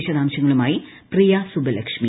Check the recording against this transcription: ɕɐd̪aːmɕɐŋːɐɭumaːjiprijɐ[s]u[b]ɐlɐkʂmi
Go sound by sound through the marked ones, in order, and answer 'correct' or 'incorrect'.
correct, correct

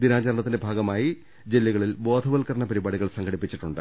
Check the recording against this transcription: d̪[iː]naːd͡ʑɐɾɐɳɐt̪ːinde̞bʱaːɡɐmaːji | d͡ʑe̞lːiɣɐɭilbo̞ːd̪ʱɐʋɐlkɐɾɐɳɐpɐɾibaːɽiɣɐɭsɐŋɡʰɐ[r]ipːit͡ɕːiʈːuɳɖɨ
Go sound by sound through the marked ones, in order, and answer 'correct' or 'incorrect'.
incorrect: i, incorrect: ɽ

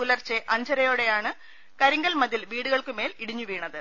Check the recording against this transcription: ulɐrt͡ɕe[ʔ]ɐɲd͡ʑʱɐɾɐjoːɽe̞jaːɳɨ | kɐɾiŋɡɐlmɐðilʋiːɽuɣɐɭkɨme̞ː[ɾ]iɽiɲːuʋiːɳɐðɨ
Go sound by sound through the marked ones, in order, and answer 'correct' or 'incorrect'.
correct, incorrect: l

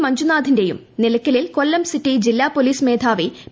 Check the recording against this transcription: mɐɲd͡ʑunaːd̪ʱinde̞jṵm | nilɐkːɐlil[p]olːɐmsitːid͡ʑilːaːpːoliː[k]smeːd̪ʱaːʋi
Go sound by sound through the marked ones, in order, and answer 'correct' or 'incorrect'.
incorrect: k, incorrect: none

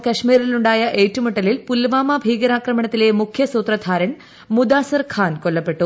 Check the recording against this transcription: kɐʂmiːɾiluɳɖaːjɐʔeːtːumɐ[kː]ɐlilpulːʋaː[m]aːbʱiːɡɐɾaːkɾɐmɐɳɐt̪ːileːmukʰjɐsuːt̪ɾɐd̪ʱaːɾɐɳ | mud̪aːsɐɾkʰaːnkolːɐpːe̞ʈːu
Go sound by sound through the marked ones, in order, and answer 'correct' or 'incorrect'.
incorrect: ʈː, correct

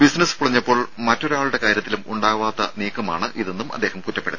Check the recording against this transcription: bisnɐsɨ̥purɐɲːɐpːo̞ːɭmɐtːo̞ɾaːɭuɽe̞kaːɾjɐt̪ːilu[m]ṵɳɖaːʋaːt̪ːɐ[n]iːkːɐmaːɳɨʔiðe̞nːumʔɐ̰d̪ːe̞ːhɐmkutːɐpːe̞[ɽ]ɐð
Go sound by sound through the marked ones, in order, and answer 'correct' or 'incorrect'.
correct, correct, correct

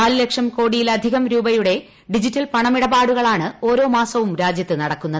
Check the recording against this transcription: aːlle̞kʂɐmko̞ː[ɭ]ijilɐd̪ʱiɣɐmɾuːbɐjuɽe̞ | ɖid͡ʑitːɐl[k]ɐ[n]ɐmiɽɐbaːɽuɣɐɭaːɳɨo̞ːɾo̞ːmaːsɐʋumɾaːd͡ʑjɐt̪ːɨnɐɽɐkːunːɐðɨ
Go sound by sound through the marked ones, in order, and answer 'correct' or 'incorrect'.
incorrect: ɽ, incorrect: p, incorrect: ɳ

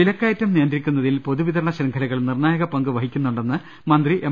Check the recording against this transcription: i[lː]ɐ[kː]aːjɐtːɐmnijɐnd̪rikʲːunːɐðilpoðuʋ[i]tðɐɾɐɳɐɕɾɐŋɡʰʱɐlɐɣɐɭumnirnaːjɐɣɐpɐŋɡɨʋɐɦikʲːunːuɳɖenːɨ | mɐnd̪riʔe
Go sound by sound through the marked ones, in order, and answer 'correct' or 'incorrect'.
incorrect: l, correct, correct

